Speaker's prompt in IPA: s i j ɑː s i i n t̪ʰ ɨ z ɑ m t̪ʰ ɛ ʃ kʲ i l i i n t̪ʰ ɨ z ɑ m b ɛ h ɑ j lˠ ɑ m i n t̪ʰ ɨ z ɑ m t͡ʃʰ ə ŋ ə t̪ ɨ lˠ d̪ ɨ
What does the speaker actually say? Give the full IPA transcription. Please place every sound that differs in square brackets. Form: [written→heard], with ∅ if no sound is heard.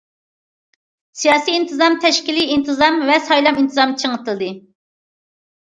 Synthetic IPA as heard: s i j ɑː s i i n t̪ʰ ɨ z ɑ m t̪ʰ ɛ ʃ kʲ i l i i n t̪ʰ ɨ z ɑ m [b→v] ɛ [h→s] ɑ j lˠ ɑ m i n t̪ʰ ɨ z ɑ m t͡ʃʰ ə ŋ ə t̪ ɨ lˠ d̪ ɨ

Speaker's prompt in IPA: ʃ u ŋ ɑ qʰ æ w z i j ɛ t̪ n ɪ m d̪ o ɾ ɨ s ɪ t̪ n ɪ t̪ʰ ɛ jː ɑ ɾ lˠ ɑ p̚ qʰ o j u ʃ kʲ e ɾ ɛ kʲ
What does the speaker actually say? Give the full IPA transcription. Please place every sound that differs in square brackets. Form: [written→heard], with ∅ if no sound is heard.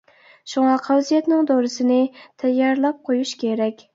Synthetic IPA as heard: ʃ u ŋ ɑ qʰ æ w z i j ɛ t̪ n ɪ [m→ŋ] d̪ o ɾ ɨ s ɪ [t̪→∅] n ɪ t̪ʰ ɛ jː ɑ ɾ lˠ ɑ p̚ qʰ o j u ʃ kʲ e ɾ ɛ kʲ

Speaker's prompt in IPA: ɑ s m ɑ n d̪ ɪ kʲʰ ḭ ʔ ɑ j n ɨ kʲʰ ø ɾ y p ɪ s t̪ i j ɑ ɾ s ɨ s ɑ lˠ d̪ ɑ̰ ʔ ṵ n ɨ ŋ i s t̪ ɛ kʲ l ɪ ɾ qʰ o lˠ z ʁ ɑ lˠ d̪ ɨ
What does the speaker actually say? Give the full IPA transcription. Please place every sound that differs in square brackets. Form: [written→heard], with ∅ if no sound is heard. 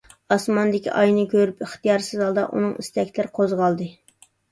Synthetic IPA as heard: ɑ s m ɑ n d̪ ɪ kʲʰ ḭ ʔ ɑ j n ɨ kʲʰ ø ɾ y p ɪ [s→χ] t̪ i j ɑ ɾ s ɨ [s→z] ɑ lˠ d̪ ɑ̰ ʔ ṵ n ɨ ŋ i s t̪ ɛ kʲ l ɪ ɾ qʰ o [lˠ→∅] z ʁ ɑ lˠ d̪ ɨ

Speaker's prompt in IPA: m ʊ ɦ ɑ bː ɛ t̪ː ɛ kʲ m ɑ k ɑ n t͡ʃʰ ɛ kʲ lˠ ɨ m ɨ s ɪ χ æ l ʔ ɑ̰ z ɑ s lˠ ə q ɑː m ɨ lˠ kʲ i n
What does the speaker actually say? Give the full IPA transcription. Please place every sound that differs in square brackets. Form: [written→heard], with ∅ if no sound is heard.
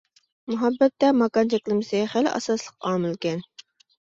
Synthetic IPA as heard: m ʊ ɦ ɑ bː ɛ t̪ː ɛ [kʲ→∅] m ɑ k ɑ n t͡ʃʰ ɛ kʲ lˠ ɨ m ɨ s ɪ χ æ l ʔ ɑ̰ [z→s] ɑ s lˠ ə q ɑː m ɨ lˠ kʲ [i→ɛ] n

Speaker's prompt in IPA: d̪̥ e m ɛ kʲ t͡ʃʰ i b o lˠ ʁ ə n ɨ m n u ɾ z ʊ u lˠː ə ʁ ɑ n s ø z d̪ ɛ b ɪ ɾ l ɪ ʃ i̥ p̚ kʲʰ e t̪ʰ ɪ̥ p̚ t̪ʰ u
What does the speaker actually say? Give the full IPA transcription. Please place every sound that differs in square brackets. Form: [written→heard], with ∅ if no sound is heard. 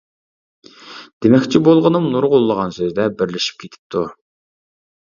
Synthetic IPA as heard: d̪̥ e m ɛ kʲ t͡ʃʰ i b o lˠ ʁ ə n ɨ m n u ɾ [z→ʁ] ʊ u lˠː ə ʁ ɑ n s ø z d̪ ɛ b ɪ ɾ l ɪ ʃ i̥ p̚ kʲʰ e t̪ʰ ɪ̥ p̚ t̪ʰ u

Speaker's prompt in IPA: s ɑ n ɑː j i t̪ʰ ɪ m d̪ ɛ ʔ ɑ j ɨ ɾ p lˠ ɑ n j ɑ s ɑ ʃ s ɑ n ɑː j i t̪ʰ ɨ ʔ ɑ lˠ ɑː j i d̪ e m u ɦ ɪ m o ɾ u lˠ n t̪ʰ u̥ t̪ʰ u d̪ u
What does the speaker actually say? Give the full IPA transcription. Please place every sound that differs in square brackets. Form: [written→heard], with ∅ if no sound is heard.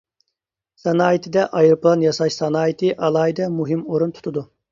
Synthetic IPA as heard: s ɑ n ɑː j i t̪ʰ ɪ [m→∅] d̪ ɛ ʔ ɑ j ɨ ɾ p lˠ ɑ n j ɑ s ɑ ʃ s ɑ n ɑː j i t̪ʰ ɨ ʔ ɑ lˠ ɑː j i d̪ [e→ɛ] m u ɦ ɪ m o ɾ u [lˠ→∅] n t̪ʰ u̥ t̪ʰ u d̪ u

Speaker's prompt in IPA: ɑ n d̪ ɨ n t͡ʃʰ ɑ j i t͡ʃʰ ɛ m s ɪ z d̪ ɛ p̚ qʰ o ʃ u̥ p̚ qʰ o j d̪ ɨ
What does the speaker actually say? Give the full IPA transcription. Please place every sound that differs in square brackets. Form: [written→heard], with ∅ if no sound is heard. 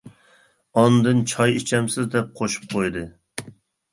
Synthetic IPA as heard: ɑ n d̪ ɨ n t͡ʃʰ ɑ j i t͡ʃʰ ɛ m s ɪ z d̪ ɛ p̚ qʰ o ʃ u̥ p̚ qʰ o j d̪ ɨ

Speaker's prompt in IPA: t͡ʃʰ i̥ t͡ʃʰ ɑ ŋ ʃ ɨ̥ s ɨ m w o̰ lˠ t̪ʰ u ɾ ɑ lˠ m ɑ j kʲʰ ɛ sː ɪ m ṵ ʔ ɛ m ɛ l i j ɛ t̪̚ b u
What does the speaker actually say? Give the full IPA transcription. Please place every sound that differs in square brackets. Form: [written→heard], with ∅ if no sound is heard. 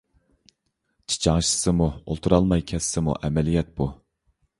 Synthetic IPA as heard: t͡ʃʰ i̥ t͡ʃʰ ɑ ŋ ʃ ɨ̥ s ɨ m [w→u] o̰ lˠ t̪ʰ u ɾ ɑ lˠ m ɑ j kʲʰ ɛ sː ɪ m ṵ ʔ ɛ m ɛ l i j ɛ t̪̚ b u

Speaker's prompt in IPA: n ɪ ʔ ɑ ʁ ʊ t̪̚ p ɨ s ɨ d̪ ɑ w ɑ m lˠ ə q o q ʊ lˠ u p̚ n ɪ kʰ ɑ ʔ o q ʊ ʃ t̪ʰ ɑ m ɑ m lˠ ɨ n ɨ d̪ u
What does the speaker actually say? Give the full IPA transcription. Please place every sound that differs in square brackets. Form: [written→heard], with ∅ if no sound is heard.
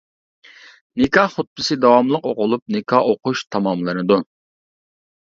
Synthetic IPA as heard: n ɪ [ʔ→k] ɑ [ʁ→χ] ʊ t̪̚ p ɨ s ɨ d̪ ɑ w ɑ m lˠ ə q o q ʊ lˠ u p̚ n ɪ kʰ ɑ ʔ o q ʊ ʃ t̪ʰ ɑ m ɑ m lˠ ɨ n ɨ d̪ u

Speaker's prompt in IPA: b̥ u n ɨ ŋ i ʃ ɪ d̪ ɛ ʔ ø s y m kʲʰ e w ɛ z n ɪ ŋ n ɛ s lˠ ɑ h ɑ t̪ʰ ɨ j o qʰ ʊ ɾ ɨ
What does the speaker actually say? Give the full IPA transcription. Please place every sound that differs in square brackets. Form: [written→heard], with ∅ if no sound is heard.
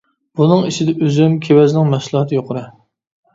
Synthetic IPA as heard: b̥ u n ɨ ŋ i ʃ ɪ d̪ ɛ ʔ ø [s→z] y m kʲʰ e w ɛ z n ɪ ŋ [n→m] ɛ s lˠ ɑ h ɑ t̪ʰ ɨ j o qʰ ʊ ɾ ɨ

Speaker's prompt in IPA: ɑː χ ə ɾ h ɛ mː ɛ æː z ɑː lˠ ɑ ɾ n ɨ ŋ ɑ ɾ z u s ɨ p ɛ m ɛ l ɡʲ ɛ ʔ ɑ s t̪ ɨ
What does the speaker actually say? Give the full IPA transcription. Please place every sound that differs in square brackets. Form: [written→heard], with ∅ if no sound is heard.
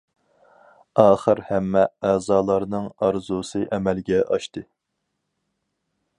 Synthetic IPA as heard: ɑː χ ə ɾ h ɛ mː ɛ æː z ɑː lˠ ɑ ɾ n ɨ ŋ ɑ ɾ z u s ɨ [p→ʔ] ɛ m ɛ l ɡʲ ɛ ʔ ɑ [s→ʃ] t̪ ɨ

